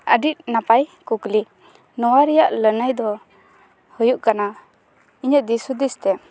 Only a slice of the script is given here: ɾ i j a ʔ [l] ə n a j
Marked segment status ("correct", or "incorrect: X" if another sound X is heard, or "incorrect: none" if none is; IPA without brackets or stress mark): correct